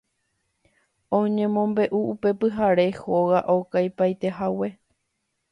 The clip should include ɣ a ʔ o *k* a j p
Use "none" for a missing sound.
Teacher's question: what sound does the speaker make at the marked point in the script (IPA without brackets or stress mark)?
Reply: k